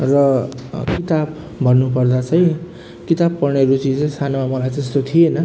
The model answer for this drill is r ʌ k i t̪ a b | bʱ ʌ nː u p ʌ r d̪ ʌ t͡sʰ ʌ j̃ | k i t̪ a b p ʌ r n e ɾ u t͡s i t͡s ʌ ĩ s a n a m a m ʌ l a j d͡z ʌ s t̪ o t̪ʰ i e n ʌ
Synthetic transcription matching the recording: r ʌ k i t̪ a b | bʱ ʌ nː u p ʌ r d̪ a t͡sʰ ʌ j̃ | k i t̪ a b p ʌ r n e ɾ u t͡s i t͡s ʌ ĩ s a n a m a m ʌ l a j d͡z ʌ s t̪ o t̪ʰ i e n ʌ